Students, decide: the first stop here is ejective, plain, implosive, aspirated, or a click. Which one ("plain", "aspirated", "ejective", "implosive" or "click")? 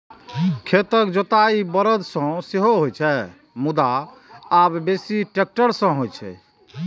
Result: aspirated